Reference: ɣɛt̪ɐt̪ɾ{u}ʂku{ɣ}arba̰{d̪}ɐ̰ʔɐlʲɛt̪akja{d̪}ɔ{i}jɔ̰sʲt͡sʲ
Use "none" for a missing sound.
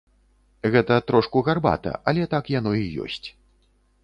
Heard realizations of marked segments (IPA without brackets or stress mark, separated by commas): ɔ, ɣ, t̪, n̪, i